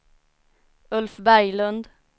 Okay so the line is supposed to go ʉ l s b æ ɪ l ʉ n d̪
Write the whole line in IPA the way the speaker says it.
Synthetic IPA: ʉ l f b æ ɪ l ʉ n d̪